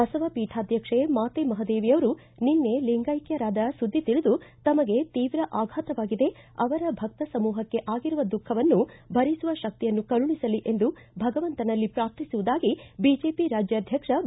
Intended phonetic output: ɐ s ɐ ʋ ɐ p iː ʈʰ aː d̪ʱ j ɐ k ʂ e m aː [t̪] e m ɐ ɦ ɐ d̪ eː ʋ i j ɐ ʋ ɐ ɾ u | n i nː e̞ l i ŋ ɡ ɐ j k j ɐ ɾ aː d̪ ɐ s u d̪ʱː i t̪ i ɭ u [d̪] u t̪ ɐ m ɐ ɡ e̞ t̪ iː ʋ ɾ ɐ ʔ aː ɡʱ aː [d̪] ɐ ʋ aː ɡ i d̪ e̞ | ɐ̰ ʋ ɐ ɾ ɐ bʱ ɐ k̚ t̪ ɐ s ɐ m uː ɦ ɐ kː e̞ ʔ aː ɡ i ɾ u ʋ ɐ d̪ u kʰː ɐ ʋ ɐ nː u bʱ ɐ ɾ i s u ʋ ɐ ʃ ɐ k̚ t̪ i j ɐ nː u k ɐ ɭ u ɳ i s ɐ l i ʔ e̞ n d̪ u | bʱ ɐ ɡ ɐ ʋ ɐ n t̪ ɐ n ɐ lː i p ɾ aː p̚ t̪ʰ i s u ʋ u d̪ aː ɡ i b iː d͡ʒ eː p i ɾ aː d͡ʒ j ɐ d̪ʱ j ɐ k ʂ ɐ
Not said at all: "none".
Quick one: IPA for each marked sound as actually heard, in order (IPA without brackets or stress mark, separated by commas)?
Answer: t̪, d̪, t̪